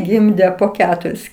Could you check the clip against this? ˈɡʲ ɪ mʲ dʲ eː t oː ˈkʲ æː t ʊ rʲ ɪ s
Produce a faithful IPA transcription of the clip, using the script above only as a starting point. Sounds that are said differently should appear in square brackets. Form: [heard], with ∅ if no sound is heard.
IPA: ˈɡʲ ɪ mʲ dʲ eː [p] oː ˈkʲ æː t ʊ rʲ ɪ s